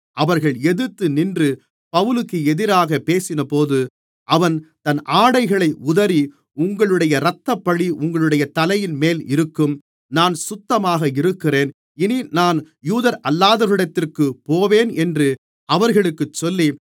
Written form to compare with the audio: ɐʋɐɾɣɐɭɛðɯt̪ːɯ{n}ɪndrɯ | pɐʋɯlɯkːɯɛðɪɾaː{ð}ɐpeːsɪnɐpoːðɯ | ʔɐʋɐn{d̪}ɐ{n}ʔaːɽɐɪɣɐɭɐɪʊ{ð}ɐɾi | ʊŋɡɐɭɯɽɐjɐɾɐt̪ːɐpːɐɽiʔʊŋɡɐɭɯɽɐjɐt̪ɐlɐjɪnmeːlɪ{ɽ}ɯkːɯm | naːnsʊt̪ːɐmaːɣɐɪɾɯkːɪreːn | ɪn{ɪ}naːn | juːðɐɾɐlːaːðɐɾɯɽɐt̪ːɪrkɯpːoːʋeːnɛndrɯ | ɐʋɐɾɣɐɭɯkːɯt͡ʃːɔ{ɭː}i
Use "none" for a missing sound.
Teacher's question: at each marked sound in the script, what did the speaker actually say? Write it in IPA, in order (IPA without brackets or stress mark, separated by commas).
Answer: n, ɣ, t̪, n, ð, ɾ, i, lː